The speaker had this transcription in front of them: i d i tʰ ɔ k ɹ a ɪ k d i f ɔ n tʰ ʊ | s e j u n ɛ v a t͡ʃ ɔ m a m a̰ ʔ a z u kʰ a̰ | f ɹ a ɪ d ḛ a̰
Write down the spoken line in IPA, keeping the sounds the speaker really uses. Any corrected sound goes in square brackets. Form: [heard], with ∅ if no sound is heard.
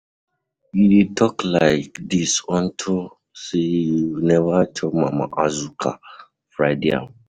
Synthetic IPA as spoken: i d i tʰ ɔ k [l] a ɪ k d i [s] ɔ n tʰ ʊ | s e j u n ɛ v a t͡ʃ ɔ m a m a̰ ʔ a z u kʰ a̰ | f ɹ a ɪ d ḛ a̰